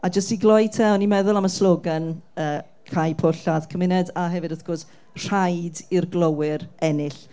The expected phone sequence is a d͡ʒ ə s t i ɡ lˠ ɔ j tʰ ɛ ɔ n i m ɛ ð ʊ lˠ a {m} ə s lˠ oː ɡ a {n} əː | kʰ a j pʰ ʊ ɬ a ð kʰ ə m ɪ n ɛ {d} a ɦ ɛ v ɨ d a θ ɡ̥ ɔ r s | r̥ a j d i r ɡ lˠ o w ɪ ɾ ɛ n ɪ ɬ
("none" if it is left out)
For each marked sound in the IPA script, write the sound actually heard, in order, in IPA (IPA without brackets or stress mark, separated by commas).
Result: m, n, d